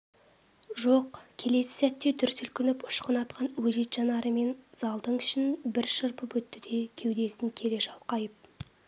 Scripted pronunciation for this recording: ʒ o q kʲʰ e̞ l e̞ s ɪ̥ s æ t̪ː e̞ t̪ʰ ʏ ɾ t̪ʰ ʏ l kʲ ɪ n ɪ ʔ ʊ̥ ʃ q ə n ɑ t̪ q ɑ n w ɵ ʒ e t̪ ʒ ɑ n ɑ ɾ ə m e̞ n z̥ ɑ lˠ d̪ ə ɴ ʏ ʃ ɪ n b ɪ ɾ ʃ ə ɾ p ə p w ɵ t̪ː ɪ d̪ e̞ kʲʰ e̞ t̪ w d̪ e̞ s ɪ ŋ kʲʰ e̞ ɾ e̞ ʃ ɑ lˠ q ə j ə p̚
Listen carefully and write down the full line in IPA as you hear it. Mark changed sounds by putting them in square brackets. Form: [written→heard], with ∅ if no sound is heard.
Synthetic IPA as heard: ʒ o q kʲʰ e̞ l e̞ s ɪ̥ s æ t̪ː e̞ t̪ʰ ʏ ɾ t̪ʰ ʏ l kʲ ɪ n ɪ [ʔ→p] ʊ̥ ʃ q ə n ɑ t̪ q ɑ n w ɵ ʒ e t̪ ʒ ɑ n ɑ ɾ ə m e̞ n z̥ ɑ lˠ d̪ ə ɴ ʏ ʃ ɪ n b ɪ ɾ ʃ ə ɾ p ə p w ɵ t̪ː ɪ d̪ e̞ kʲʰ e̞ [t̪→∅] w d̪ e̞ s ɪ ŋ kʲʰ e̞ ɾ e̞ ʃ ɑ lˠ q [ə→ɑ] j ə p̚

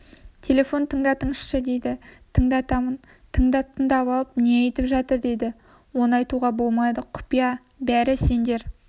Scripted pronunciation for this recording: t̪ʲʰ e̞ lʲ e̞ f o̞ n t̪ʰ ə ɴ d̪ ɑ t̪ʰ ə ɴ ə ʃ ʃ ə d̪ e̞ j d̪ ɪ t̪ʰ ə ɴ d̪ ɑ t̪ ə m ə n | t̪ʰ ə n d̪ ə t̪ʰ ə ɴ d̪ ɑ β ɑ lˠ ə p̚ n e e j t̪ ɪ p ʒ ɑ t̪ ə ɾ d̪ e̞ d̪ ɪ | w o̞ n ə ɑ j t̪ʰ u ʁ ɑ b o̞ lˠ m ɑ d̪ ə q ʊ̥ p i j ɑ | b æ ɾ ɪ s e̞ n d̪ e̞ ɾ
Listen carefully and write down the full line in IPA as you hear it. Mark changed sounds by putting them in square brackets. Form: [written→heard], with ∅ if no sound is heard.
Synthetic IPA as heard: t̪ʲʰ e̞ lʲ e̞ f o̞ n t̪ʰ ə ɴ d̪ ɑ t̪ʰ ə ɴ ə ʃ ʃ ə d̪ e̞ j d̪ ɪ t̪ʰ ə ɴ d̪ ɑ t̪ [ə→ɑ] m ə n | t̪ʰ ə [n→ɴ] d̪ [ə→ɑ] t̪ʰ ə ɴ d̪ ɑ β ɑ lˠ ə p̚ n e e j t̪ ɪ p ʒ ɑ t̪ ə ɾ d̪ e̞ d̪ ɪ | w o̞ n ə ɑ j [t̪ʰ→t̪] u ʁ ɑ b o̞ lˠ m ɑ d̪ ə [q→qʰ] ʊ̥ p i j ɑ | b æ ɾ ɪ s e̞ n d̪ e̞ ɾ

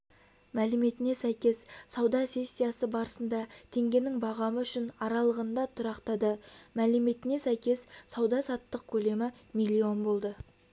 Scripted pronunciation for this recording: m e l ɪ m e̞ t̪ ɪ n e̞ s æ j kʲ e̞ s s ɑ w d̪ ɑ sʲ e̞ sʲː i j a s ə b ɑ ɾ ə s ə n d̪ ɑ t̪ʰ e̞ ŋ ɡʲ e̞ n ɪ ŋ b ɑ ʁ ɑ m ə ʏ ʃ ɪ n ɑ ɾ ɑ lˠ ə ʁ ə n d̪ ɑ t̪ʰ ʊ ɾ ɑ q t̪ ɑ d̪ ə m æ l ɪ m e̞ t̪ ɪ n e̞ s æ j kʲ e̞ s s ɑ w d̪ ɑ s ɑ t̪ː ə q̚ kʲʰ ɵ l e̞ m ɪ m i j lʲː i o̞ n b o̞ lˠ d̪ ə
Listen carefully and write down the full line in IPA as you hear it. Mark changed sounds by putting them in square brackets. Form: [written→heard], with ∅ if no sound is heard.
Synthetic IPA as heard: m [e→æ] l ɪ m e̞ t̪ ɪ n e̞ s æ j kʲ e̞ s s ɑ w d̪ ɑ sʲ e̞ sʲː i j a s ə b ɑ ɾ ə s ə n d̪ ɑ t̪ʰ e̞ ŋ ɡʲ e̞ n ɪ ŋ b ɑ ʁ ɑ m ə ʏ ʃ ɪ n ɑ ɾ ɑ lˠ ə ʁ ə n d̪ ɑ t̪ʰ ʊ ɾ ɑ q t̪ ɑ d̪ ə m æ l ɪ m e̞ t̪ ɪ n e̞ s æ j kʲ e̞ s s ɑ w d̪ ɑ s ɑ t̪ː ə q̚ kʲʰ ɵ l e̞ m ɪ m i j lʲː i o̞ n b o̞ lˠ d̪ ə

